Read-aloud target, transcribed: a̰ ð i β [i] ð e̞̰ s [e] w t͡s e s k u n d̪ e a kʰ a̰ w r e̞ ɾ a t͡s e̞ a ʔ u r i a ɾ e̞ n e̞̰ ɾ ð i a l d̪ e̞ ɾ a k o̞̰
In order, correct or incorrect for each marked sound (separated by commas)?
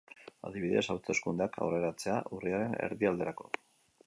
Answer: correct, incorrect